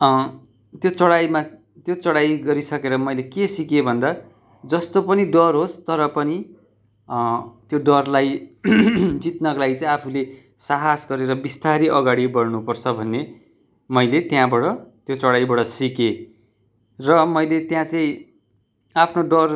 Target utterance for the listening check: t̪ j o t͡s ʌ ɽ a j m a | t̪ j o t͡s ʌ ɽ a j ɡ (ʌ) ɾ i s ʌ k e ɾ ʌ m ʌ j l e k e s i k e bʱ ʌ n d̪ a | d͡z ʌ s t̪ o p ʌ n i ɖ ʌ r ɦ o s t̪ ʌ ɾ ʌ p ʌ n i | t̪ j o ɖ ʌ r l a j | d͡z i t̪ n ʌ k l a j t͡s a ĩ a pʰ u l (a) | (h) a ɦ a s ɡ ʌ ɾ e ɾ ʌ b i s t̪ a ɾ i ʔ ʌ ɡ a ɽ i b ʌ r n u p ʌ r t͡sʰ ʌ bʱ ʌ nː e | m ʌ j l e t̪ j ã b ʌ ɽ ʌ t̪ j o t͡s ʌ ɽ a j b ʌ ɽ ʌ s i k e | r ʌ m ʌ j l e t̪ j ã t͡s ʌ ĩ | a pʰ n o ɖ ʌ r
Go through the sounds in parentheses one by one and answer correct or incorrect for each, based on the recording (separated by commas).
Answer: correct, incorrect, incorrect